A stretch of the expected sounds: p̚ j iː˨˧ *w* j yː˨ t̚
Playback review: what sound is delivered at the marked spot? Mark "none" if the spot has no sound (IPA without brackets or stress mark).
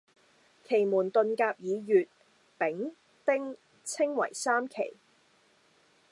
none